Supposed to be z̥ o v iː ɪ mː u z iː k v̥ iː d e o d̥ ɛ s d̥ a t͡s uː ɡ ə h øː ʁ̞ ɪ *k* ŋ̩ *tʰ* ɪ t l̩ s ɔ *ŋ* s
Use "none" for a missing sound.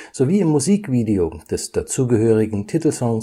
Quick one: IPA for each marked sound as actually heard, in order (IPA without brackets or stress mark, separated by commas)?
ɡ, tʰ, ŋ